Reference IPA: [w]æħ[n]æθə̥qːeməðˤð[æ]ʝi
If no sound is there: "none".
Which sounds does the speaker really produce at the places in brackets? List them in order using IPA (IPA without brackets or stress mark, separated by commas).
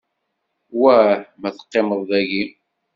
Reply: w, m, æ